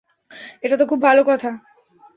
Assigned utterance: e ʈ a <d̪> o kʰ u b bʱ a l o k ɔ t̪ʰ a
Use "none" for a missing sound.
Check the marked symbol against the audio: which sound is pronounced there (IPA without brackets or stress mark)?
t̪